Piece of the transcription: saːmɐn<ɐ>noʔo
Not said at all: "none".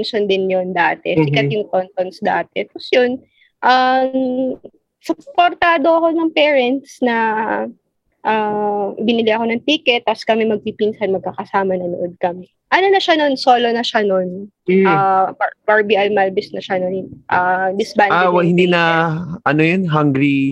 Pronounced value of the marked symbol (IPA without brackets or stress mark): ɐ